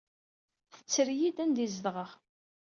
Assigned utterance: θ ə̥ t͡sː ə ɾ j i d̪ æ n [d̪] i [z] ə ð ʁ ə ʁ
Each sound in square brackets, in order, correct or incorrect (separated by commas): correct, correct